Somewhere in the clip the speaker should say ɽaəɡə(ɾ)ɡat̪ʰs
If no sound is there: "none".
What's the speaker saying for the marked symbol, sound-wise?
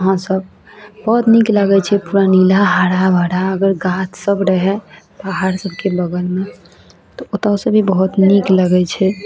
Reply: ɾ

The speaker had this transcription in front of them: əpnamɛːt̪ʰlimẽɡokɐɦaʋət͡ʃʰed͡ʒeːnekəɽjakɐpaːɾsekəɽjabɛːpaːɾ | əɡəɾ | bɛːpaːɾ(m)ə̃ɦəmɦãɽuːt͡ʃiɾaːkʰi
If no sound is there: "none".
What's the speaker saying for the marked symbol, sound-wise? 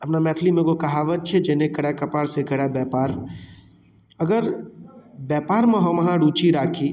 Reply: m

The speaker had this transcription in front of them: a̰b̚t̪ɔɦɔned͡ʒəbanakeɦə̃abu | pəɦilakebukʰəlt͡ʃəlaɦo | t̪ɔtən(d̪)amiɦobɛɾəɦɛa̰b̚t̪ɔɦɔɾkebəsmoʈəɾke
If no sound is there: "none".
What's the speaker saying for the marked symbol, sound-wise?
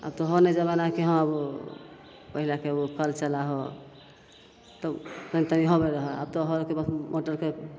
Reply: t̪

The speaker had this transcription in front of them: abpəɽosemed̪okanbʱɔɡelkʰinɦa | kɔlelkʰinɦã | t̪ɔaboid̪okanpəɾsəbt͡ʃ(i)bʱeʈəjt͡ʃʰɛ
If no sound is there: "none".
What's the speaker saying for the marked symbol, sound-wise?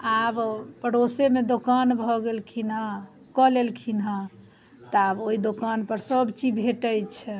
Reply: i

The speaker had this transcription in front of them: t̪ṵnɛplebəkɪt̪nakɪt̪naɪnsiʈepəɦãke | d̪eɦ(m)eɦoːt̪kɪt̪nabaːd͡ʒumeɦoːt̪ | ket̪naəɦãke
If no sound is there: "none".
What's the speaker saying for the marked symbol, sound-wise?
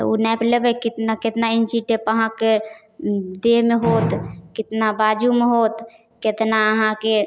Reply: m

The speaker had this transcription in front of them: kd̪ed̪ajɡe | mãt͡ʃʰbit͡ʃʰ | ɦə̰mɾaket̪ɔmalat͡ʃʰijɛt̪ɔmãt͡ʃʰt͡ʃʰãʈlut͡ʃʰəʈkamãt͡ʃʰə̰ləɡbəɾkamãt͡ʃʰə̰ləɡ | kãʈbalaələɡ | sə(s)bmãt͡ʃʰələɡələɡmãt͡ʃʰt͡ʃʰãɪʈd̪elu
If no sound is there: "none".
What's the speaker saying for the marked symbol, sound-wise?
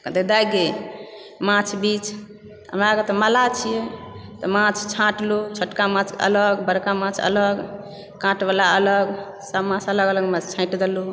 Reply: none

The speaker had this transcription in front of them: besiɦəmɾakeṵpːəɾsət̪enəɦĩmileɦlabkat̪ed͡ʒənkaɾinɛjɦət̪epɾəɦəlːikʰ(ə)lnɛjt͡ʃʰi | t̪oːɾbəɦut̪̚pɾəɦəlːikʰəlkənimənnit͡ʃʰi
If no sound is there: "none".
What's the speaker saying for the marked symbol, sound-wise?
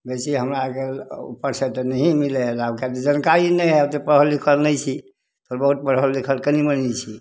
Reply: ə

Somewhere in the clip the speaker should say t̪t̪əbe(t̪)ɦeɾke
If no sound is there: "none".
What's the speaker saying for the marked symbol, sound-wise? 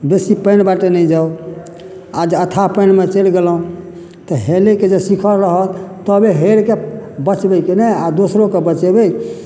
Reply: none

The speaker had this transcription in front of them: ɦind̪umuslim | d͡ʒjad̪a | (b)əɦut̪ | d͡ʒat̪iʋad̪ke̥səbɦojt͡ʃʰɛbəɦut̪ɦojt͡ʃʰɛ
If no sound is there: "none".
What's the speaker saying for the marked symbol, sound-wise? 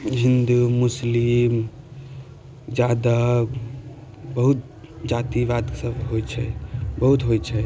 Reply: b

